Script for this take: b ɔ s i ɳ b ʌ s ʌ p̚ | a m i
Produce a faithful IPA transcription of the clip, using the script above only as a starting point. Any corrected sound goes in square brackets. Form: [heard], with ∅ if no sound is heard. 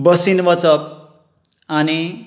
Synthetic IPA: b [ʌ] s i [n] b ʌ [t͡s] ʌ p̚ | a [n] i